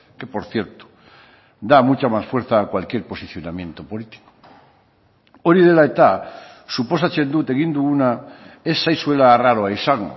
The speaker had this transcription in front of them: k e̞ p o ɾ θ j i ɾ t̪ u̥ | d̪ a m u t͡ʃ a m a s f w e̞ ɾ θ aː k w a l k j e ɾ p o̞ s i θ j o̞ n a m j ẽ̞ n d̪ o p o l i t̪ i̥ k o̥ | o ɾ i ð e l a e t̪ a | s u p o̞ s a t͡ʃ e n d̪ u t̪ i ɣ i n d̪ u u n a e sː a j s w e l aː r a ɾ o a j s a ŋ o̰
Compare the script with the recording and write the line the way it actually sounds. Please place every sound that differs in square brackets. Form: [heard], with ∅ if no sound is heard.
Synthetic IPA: k e̞ p o ɾ θ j [e] ɾ t̪ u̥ | d̪ a m u t͡ʃ a m a s f w e̞ ɾ θ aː k w a l k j e ɾ p o̞ s i θ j o̞ n a m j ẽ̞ n [t̪] o p o l i t̪ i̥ k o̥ | o ɾ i ð e l a e t̪ a | s u p o̞ s a t͡ʃ e n d̪ u t̪ [e] ɣ i n d̪ u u n a e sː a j s w e l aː r a ɾ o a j s a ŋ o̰